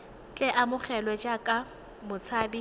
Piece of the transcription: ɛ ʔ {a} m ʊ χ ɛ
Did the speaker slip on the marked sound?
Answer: no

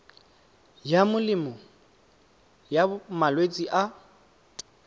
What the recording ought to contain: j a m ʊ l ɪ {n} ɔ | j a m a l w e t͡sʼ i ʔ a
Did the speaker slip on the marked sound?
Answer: yes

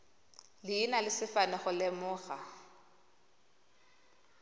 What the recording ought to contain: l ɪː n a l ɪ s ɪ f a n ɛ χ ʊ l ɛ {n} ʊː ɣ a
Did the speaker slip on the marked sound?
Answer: yes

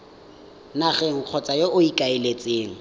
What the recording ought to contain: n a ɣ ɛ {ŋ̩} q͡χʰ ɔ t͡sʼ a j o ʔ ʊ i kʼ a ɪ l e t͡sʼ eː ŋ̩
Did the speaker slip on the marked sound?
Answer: no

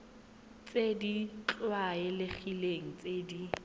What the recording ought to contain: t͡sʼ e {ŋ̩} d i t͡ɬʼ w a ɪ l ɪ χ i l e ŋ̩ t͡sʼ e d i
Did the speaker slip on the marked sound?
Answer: yes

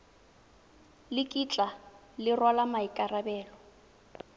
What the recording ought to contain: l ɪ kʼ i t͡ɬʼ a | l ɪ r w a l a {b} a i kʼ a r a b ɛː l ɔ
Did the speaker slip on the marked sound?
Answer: yes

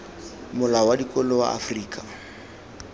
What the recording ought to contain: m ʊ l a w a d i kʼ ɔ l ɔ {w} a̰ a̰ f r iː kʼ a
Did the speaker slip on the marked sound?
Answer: no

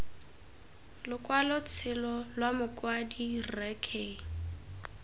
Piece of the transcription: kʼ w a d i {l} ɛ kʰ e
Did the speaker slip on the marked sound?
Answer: yes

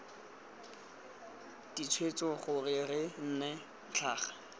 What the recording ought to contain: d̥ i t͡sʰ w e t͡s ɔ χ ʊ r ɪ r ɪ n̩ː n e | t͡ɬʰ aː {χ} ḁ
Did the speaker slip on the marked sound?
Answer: no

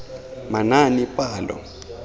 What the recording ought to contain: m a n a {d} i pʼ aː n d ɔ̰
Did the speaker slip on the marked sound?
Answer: yes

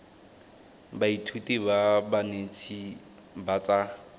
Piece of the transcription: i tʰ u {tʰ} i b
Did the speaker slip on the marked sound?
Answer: yes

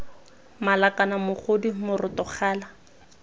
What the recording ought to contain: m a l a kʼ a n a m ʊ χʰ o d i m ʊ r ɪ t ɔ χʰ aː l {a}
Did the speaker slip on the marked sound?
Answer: no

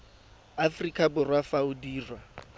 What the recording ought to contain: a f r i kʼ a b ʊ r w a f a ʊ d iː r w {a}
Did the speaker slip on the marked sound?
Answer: no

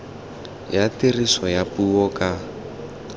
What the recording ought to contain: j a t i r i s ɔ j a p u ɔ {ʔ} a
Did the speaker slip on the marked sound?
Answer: yes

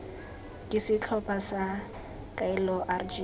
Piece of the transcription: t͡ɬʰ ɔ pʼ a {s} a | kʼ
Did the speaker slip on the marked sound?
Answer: no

